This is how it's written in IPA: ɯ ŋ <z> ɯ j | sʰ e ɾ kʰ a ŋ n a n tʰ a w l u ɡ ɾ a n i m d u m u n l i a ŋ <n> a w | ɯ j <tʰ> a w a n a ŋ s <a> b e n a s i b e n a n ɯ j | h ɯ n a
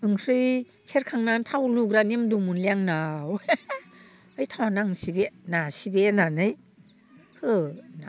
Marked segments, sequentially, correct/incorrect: incorrect, correct, correct, incorrect

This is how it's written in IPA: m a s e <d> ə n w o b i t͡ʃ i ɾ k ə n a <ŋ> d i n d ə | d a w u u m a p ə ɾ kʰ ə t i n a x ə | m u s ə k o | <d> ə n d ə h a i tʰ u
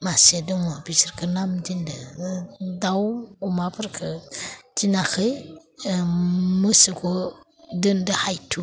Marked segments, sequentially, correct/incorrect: correct, incorrect, correct

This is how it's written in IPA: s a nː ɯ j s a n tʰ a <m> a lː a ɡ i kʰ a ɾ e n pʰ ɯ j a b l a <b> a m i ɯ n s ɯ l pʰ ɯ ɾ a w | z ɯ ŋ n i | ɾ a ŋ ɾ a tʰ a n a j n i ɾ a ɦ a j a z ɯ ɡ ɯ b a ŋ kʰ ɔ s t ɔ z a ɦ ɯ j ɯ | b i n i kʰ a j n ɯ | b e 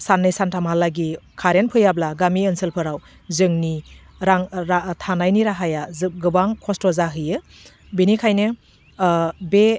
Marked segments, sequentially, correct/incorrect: correct, incorrect

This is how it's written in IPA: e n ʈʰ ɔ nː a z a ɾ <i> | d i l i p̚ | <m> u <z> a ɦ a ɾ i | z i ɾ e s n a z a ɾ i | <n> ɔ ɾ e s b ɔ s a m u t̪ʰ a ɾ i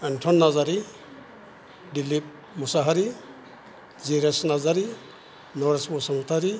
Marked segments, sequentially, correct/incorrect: correct, correct, incorrect, correct

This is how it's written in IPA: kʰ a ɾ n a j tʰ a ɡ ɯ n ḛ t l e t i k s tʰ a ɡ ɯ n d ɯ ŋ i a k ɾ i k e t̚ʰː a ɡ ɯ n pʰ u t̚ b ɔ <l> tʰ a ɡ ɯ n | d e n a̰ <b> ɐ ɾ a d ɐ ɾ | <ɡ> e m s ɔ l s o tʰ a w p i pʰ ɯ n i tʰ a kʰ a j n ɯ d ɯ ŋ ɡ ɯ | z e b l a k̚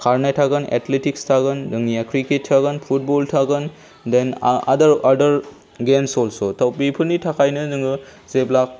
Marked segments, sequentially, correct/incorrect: correct, incorrect, correct

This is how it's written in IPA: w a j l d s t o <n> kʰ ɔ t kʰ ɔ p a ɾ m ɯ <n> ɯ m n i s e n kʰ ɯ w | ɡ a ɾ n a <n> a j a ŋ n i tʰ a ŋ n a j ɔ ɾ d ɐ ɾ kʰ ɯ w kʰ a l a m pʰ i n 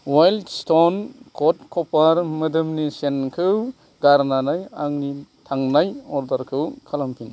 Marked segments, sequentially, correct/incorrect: correct, incorrect, correct

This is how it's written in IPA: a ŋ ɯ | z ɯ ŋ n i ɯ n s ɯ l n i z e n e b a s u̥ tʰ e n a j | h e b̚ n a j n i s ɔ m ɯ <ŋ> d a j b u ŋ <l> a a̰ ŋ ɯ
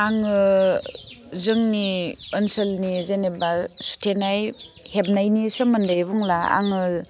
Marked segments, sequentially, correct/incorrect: incorrect, correct

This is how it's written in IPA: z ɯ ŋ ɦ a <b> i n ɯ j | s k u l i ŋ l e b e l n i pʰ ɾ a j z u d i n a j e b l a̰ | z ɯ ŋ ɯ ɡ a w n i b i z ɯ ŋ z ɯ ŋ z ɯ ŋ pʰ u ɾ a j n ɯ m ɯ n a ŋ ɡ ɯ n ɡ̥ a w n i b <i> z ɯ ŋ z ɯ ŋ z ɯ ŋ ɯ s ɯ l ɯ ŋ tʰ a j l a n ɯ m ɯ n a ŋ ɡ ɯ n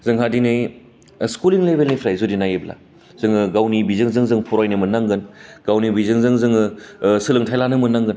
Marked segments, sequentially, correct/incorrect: incorrect, correct

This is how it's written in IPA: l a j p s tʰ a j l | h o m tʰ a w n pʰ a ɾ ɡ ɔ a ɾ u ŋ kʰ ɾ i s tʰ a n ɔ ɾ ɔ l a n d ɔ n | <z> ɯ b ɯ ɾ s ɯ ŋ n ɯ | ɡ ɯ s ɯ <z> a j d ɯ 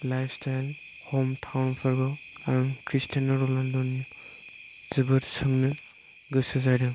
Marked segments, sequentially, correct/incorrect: correct, correct

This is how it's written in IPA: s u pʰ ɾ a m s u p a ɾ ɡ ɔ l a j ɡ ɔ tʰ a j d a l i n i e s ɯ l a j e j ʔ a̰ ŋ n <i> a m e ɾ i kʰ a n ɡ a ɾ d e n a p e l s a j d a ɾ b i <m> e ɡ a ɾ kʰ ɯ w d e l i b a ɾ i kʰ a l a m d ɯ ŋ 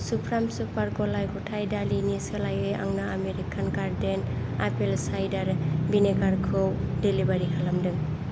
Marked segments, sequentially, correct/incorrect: incorrect, incorrect

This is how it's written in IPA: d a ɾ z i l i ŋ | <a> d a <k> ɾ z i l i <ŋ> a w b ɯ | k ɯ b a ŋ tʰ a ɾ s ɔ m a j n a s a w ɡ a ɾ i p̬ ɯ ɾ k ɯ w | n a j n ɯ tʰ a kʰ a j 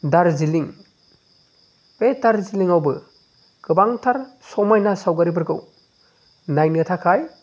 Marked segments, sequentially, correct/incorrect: incorrect, incorrect, correct

